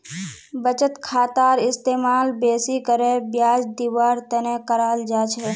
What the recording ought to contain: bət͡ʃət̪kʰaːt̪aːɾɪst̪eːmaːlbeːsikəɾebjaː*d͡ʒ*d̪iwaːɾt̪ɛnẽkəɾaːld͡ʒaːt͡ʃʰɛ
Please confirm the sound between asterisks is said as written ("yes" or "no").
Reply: yes